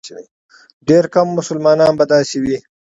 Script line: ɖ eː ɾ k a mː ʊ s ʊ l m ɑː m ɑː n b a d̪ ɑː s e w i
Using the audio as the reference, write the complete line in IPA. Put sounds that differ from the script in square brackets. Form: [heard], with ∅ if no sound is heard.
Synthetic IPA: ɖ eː ɾ k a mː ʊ s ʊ l m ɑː [n] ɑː n b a d̪ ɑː s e w i